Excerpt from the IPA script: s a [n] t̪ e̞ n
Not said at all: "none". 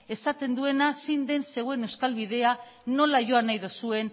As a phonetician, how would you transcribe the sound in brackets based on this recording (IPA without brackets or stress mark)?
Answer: none